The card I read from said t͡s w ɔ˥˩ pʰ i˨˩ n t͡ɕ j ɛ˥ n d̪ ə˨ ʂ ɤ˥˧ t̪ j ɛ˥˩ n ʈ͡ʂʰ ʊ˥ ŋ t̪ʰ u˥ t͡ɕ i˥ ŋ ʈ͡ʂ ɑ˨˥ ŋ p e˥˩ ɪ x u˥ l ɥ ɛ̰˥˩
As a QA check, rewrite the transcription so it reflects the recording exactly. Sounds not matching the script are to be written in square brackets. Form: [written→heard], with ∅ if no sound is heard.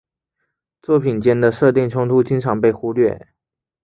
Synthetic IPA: t͡s w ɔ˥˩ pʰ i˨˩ n t͡ɕ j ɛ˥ n d̪ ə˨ ʂ ɤ˥˧ t̪ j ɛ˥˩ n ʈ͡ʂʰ ʊ˥ ŋ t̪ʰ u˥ t͡ɕ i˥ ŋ [ʈ͡ʂ→ʈ͡ʂʰ] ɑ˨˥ ŋ p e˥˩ ɪ x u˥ l ɥ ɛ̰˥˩